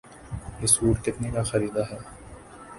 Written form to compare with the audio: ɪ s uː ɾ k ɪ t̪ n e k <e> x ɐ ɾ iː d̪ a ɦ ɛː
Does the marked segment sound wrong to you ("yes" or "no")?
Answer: yes